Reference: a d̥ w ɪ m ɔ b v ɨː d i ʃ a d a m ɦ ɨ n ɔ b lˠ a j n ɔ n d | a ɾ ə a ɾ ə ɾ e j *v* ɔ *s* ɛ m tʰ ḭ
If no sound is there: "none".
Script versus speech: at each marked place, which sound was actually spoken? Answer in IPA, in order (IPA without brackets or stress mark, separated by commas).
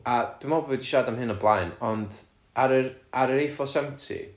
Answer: f, s